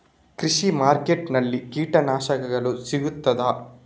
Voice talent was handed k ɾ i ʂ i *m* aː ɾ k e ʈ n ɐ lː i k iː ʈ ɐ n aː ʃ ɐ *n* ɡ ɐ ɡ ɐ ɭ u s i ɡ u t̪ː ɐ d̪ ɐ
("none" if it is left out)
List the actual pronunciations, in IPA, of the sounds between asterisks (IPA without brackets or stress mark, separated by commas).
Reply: m, none